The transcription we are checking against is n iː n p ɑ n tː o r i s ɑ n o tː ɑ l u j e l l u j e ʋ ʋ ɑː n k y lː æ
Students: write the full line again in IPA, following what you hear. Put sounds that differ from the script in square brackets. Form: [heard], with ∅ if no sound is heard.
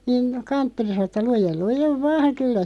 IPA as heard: n iː n [k] ɑ n tː o r i s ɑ n o tː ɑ l u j e l l u j e ʋ ʋ ɑː [ŋ] k y lː æ